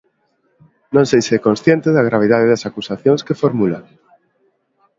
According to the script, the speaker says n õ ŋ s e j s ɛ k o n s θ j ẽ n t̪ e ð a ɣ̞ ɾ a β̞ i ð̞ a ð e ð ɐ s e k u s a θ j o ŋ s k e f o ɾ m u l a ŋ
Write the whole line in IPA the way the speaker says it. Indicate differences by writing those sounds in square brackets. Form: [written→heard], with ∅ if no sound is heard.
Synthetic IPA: n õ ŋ s e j s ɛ k o n s θ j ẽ n t̪ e ð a ɣ̞ ɾ a β̞ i ð̞ a ð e ð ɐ s [e→a] k u s a θ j o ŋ s k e f o ɾ m u l a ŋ